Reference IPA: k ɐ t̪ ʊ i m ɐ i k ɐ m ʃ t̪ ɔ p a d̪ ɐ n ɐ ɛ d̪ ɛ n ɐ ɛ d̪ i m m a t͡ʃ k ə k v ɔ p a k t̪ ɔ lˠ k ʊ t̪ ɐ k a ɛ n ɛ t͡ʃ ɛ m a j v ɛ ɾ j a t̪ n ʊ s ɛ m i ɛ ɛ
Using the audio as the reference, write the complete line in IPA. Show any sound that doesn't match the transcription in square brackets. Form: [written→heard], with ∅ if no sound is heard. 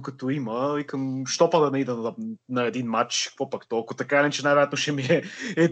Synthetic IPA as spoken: k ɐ t̪ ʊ i m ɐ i k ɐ m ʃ t̪ ɔ p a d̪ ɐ n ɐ [ɛ→i] d̪ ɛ n ɐ ɛ d̪ i [m→n] m a t͡ʃ k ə k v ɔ p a k t̪ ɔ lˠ k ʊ t̪ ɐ k a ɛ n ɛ t͡ʃ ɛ [m→n] a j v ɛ ɾ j a t̪ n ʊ [s→ʃ] ɛ m i ɛ ɛ